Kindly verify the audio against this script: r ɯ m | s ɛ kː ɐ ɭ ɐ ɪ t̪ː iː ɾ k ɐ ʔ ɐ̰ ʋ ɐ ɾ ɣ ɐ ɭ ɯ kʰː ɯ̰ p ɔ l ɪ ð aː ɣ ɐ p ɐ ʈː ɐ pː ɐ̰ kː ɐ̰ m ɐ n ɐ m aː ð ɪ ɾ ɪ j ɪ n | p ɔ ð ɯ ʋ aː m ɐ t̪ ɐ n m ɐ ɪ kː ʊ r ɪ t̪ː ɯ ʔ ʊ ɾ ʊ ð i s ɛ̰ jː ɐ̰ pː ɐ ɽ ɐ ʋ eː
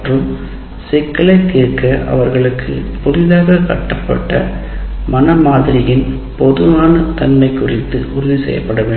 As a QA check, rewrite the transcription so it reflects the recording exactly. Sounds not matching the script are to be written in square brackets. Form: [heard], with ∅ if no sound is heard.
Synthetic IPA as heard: r ɯ m | s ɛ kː ɐ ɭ ɐ ɪ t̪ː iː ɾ k ɐ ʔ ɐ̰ ʋ ɐ ɾ ɣ ɐ ɭ ɯ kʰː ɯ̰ p ɔ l ɪ ð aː ɣ ɐ [k] ɐ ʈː ɐ pː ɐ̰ [ʈː] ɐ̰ m ɐ n ɐ m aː ð ɪ ɾ ɪ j ɪ n | p ɔ ð ɯ ʋ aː [n] ɐ t̪ ɐ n m ɐ ɪ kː ʊ r ɪ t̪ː ɯ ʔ ʊ ɾ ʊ ð i s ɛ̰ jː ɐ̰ pː ɐ ɽ ɐ ʋ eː